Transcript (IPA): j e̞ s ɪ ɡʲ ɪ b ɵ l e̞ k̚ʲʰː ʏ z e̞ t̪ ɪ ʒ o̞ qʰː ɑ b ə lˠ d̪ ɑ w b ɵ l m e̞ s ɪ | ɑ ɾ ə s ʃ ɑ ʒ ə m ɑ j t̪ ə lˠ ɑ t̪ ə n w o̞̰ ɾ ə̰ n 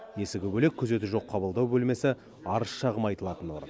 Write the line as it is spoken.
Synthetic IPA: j e̞ s ɪ ɡʲ ɪ b ɵ l e̞ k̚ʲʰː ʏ z e̞ t̪ ɪ ʒ o̞ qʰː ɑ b ə lˠ d̪ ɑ w b ɵ l m e̞ s ɪ | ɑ ɾ ə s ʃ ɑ ʁ ə m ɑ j t̪ ə lˠ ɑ t̪ ə n w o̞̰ ɾ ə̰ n